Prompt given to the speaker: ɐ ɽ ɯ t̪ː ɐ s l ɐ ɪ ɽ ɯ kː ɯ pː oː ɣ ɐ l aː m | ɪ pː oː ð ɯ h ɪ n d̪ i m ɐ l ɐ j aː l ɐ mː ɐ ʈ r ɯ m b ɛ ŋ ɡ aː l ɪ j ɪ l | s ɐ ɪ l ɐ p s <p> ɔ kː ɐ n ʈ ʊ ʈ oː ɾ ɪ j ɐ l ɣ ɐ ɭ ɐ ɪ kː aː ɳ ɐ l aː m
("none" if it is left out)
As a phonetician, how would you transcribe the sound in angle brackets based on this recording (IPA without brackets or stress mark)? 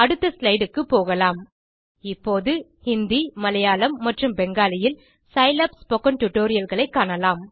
p